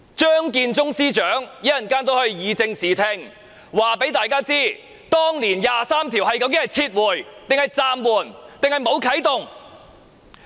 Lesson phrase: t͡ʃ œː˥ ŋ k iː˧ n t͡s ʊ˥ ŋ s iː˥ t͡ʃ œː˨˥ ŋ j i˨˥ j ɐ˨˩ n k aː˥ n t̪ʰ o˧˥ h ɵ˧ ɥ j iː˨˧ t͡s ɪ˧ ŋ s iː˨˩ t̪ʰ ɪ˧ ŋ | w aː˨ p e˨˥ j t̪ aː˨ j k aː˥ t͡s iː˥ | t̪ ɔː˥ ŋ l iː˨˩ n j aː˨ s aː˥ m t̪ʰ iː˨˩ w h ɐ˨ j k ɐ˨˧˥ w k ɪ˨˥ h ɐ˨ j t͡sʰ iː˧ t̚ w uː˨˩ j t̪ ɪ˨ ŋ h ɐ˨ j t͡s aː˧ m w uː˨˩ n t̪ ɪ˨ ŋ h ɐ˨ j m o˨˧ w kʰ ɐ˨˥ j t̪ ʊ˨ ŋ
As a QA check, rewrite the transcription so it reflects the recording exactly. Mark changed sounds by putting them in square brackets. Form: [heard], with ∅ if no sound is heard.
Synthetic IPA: t͡ʃ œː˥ ŋ k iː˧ n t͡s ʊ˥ ŋ s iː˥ t͡ʃ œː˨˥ ŋ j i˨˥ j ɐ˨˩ n k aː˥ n [t̪] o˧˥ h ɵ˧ ɥ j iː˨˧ t͡s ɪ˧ ŋ s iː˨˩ t̪ʰ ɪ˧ ŋ | w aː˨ p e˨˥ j t̪ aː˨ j k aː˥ t͡s iː˥ | t̪ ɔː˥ ŋ l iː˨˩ n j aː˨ s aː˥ m t̪ʰ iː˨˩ w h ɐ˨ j k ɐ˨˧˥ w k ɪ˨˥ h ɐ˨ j t͡sʰ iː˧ t̚ w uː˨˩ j t̪ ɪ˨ ŋ h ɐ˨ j t͡s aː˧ m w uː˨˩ n t̪ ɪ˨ ŋ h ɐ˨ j m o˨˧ w kʰ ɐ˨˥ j t̪ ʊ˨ ŋ

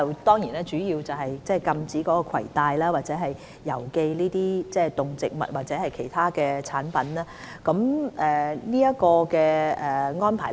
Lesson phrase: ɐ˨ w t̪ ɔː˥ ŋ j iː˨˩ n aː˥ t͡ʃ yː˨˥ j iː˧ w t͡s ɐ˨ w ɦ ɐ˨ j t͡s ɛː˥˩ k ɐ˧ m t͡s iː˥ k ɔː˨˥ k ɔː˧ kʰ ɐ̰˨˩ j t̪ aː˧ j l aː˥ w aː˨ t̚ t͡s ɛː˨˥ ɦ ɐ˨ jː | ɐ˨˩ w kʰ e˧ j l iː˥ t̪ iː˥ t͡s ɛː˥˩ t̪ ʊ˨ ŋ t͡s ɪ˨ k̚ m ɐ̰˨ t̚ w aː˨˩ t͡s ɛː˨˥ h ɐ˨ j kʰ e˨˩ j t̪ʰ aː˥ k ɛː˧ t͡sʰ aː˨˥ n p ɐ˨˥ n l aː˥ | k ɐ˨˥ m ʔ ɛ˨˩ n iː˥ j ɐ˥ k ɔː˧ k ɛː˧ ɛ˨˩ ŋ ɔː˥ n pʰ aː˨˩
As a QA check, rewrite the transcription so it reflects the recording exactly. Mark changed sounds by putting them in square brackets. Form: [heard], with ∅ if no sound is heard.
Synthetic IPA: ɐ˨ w t̪ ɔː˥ ŋ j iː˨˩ n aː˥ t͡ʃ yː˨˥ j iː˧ w t͡s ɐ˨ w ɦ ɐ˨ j t͡s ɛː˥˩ k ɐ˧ m t͡s [iː˨˥] k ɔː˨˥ k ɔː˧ kʰ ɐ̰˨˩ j t̪ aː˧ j l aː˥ w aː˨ t̚ t͡s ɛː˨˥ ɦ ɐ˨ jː | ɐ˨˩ w [k] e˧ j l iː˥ t̪ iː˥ t͡s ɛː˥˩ t̪ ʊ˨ ŋ t͡s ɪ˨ k̚ m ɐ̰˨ t̚ w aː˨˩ t͡s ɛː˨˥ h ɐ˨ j kʰ e˨˩ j t̪ʰ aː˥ k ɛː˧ t͡sʰ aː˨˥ n p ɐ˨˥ n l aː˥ | k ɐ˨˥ m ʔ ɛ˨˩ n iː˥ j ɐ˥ k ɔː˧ k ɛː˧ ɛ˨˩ ŋ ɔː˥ n pʰ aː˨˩

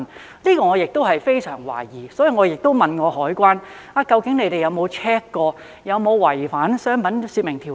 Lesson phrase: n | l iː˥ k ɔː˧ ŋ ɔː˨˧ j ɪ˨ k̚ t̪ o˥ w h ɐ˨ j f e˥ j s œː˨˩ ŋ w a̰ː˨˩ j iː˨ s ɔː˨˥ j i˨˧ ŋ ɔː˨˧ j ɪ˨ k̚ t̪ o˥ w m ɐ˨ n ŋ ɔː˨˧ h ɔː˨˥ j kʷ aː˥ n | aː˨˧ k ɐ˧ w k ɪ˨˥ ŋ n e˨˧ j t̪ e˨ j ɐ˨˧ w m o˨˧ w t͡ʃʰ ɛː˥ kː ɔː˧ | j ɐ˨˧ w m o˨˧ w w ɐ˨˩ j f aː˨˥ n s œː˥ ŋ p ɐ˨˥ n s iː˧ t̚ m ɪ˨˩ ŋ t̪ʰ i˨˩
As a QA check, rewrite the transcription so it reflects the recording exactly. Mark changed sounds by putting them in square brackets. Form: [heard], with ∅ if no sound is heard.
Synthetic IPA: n | l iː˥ k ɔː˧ ŋ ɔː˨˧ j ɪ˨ k̚ t̪ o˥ w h ɐ˨ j f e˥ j s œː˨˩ ŋ w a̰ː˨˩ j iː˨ s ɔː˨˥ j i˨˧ ŋ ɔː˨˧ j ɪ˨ k̚ t̪ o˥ w m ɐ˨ n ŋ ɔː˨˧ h ɔː˨˥ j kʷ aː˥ n | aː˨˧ k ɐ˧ w k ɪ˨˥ ŋ n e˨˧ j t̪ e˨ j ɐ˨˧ w m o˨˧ w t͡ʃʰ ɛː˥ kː ɔː˧ | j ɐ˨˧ w m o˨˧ w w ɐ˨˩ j f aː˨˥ n s œː˥ ŋ p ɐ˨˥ n s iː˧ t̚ m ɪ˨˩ ŋ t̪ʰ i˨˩

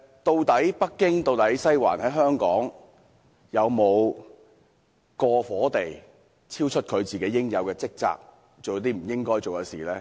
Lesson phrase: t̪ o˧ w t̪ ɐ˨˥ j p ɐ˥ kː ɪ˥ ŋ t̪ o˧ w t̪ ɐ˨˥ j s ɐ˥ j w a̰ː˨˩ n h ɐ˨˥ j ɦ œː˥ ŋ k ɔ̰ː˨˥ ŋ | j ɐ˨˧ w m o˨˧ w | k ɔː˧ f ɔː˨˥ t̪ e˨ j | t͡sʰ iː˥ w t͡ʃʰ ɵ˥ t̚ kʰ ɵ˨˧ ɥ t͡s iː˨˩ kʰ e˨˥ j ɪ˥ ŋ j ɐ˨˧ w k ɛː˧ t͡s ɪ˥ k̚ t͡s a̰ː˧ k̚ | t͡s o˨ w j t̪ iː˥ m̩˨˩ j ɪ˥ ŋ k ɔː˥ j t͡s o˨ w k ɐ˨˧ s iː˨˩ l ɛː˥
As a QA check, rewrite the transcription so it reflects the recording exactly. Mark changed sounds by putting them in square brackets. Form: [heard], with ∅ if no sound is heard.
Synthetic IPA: t̪ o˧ w t̪ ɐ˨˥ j p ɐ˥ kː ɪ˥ ŋ t̪ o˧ w t̪ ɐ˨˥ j s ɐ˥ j w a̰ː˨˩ n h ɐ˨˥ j ɦ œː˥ ŋ k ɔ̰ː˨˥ ŋ | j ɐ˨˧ w m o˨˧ w | k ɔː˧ f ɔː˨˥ t̪ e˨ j | t͡sʰ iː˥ w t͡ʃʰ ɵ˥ t̚ kʰ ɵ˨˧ ɥ t͡s iː˨˩ [k] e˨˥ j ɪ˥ ŋ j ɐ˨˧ w k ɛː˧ t͡s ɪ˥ k̚ t͡s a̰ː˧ k̚ | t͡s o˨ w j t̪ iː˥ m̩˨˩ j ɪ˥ ŋ k ɔː˥ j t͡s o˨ w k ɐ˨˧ s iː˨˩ l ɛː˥

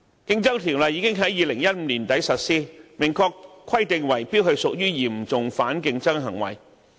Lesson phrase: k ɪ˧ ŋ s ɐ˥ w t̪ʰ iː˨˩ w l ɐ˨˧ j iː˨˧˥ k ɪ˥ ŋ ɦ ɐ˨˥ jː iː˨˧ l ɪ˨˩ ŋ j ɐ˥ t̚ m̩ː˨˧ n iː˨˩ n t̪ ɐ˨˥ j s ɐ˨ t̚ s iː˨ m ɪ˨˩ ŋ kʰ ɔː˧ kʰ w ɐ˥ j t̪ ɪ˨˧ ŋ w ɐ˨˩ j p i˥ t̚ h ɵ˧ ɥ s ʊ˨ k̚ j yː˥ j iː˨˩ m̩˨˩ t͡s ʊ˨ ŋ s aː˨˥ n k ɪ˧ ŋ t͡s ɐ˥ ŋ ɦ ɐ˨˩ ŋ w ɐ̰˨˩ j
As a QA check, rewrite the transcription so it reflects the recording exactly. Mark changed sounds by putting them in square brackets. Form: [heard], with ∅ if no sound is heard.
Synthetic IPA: k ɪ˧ ŋ [t͡s] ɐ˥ w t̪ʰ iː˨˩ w l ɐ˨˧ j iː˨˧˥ k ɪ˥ ŋ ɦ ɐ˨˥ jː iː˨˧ l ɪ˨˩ ŋ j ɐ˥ t̚ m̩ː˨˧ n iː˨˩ n t̪ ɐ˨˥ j s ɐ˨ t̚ s [iː˥] m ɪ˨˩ ŋ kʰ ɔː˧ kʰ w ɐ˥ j t̪ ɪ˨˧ ŋ w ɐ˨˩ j p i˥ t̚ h ɵ˧ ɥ s ʊ˨ k̚ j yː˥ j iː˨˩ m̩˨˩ t͡s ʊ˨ ŋ [f] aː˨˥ n k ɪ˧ ŋ t͡s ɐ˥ ŋ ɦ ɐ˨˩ ŋ w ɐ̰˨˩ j

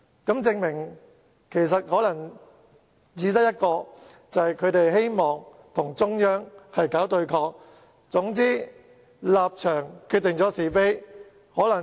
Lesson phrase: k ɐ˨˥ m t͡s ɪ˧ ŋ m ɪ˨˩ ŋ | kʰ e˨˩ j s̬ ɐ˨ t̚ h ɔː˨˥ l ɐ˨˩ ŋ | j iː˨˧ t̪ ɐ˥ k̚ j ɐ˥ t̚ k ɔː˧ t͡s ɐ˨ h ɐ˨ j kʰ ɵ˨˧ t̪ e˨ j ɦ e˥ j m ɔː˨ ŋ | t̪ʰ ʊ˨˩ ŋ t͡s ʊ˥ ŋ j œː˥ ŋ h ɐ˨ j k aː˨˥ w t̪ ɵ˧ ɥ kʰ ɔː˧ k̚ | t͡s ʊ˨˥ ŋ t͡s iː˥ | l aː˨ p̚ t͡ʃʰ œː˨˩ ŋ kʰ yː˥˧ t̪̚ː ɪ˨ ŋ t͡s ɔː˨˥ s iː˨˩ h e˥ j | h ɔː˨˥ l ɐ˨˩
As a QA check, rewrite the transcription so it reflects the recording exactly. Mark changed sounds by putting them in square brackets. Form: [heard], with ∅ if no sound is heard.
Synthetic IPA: k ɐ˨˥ m t͡s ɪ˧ ŋ m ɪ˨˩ ŋ | kʰ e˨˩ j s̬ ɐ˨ t̚ h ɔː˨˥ l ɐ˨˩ ŋ | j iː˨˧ t̪ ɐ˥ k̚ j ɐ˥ t̚ k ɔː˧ t͡s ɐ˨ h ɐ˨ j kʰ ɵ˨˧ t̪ e˨ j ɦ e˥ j m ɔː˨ ŋ | t̪ʰ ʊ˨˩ ŋ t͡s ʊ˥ ŋ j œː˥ ŋ h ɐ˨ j k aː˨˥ w t̪ ɵ˧ ɥ kʰ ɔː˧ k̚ | t͡s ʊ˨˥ ŋ t͡s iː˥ | l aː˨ p̚ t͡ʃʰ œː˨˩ ŋ kʰ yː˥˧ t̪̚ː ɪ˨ ŋ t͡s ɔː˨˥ s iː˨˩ [f] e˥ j | h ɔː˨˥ l ɐ˨˩

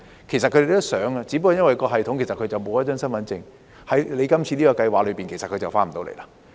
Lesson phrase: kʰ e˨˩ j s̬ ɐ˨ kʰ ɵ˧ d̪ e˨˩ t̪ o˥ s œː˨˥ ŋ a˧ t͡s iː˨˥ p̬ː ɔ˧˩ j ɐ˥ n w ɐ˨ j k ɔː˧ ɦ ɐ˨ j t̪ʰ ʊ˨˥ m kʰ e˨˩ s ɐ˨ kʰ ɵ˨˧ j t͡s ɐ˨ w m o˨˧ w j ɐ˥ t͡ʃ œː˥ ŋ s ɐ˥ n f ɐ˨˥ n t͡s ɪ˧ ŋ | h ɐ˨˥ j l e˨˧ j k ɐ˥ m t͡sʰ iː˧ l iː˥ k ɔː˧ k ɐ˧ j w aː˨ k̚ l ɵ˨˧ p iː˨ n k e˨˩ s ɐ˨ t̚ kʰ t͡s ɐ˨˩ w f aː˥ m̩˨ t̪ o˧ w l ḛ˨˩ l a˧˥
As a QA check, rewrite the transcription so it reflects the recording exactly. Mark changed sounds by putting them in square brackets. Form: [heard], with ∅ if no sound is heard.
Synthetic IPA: kʰ e˨˩ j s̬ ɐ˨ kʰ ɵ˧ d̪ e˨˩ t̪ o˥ s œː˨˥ ŋ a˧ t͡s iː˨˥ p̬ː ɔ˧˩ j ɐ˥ n w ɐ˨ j k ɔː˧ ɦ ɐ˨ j t̪ʰ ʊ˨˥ [ŋ] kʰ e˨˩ s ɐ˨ kʰ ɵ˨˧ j t͡s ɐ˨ w m o˨˧ w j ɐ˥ t͡ʃ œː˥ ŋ s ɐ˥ n f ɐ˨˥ n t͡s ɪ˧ ŋ | h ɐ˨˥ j l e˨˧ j k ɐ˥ m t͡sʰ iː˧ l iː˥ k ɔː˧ k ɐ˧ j w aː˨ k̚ l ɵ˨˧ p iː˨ n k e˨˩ s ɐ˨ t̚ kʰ t͡s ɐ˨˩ w f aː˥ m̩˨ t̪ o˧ w l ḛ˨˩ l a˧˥

